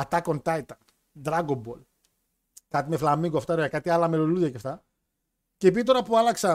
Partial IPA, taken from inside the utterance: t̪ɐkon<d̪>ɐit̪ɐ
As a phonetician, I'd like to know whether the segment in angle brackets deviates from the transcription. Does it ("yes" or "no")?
yes